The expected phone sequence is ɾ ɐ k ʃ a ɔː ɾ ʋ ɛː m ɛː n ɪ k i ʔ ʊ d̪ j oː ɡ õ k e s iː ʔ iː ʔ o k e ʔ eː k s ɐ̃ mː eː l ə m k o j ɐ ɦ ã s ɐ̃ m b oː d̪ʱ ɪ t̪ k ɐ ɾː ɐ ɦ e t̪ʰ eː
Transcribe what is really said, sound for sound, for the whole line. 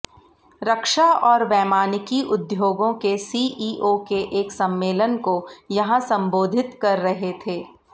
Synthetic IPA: ɾ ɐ k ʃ a ɔː ɾ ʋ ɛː m aː n ɪ k i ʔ ʊ d̪ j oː ɡ õ k e s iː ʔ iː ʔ o k e ʔ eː k s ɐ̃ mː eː l ə n k o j ɐ ɦ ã s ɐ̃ m b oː d̪ʱ ɪ t̪ k ɐ ɾː ɐ ɦ e t̪ʰ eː